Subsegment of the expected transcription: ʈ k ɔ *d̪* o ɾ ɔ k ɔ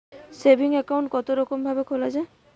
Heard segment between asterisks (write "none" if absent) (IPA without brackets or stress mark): t̪